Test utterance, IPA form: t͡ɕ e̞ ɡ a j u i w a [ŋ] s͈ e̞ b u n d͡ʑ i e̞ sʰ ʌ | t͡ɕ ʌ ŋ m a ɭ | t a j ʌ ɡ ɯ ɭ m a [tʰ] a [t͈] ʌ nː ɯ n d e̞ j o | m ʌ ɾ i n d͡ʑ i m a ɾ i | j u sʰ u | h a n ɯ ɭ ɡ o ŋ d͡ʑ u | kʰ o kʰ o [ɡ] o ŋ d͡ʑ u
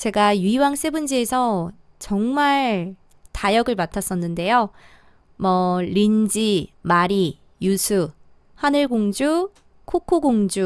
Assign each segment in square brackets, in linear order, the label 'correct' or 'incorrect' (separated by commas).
correct, correct, incorrect, correct